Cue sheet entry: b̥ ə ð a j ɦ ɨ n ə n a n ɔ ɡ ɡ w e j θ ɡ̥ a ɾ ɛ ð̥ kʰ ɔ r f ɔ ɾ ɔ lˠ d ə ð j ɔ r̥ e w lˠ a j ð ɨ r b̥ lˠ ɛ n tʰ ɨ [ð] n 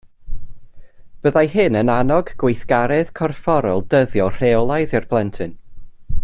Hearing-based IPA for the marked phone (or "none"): none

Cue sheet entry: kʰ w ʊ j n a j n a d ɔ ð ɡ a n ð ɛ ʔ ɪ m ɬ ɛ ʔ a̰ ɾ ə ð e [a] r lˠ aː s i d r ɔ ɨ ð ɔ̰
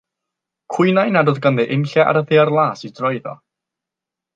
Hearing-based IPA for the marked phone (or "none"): a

